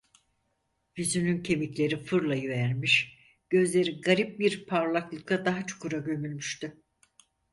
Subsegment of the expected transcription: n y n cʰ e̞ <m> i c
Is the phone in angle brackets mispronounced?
no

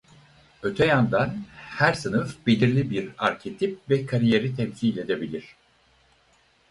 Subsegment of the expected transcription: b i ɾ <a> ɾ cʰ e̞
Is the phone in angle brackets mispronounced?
no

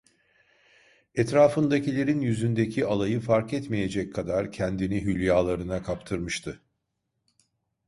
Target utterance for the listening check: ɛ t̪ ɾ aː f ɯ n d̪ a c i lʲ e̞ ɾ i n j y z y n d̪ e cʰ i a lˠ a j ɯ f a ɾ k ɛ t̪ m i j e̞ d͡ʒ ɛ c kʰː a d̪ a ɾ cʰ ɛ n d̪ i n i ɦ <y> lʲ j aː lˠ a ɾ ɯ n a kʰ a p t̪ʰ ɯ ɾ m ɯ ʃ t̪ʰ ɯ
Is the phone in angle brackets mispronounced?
no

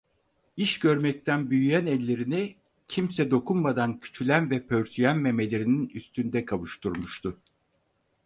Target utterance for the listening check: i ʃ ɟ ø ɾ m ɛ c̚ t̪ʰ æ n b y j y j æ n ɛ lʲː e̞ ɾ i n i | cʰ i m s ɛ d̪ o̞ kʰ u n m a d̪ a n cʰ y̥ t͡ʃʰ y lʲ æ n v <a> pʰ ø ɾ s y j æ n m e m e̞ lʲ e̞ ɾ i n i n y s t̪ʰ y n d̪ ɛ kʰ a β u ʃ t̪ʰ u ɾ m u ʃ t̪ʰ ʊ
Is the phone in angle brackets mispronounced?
yes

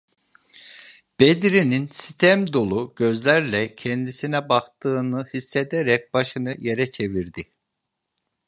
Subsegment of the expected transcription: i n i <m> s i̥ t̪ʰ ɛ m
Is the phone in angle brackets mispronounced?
yes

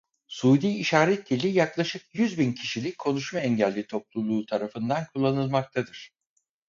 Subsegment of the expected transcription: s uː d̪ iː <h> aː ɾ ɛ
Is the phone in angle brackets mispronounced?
yes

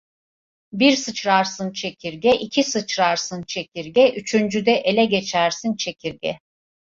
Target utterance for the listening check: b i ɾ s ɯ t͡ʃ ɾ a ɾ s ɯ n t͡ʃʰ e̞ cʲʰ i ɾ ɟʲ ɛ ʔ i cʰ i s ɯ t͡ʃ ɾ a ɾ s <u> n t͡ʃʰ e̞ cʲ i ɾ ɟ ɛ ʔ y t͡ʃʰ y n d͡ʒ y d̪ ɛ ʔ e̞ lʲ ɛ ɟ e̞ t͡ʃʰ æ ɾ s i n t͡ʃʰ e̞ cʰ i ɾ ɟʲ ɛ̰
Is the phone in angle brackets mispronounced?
yes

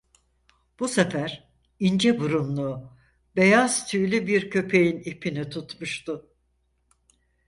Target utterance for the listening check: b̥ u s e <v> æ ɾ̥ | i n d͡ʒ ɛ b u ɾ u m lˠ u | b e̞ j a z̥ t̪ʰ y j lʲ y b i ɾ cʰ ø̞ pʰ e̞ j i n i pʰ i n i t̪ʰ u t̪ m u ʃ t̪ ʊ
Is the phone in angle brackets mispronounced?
yes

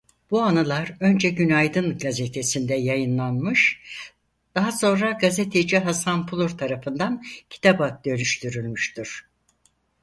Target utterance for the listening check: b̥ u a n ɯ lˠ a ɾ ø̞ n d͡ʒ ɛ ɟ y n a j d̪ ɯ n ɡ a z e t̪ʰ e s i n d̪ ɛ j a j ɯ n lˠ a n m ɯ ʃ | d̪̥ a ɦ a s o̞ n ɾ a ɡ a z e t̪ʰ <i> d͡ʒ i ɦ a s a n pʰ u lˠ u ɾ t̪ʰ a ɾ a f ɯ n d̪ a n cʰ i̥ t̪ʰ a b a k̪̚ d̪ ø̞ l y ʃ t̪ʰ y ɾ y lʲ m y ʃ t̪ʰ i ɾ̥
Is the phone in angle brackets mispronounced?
yes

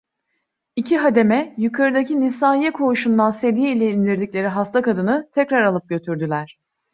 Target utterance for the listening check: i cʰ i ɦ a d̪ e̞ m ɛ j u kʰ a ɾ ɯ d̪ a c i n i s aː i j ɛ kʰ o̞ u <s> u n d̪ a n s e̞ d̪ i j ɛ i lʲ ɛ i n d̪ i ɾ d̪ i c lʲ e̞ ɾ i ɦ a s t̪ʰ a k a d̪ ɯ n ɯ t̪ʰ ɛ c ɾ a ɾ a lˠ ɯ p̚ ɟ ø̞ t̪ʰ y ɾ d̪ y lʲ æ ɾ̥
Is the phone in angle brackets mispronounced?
yes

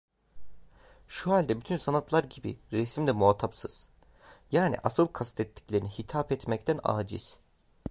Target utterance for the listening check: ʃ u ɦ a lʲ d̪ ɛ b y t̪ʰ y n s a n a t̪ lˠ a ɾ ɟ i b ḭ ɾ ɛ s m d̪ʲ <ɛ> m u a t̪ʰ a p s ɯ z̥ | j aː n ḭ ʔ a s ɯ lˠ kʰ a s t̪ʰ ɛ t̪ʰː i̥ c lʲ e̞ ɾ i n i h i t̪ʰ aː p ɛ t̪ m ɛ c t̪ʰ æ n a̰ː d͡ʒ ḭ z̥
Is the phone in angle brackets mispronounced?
no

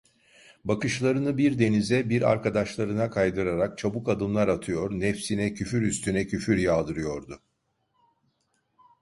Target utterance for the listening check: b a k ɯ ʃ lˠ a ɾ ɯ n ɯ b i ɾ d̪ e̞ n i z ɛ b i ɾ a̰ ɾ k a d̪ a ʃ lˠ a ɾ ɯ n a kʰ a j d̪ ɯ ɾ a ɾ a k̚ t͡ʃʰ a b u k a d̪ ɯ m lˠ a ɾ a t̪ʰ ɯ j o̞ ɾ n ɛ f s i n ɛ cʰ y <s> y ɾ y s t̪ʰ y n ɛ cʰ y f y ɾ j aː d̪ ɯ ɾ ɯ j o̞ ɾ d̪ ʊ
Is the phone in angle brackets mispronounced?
yes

